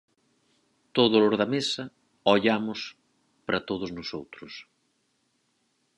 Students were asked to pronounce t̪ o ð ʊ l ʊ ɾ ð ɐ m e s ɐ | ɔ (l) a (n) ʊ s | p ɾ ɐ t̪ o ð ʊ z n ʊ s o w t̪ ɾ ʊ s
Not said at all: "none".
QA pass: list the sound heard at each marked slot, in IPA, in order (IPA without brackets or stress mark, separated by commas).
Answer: ʎ, m